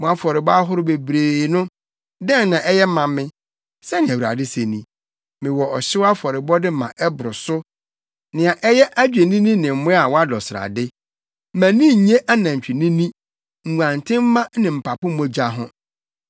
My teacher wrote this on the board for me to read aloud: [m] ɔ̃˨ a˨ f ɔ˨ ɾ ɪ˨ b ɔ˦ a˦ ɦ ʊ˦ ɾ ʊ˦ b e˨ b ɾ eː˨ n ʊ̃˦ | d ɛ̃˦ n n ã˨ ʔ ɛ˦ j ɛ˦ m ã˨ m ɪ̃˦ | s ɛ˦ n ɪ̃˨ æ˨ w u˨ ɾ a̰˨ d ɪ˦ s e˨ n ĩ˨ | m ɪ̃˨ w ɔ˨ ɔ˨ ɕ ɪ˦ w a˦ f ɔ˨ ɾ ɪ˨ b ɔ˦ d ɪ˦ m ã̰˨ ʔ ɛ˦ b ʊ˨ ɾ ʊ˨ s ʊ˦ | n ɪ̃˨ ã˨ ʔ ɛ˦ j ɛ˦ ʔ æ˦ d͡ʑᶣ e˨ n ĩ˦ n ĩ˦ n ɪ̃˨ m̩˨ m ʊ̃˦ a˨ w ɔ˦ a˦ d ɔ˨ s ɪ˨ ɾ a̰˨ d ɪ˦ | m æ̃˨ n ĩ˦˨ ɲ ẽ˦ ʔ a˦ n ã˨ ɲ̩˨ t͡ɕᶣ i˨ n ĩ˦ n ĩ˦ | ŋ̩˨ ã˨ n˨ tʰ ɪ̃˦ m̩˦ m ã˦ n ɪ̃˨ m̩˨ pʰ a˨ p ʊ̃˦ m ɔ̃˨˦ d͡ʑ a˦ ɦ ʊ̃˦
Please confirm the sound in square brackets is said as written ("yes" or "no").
yes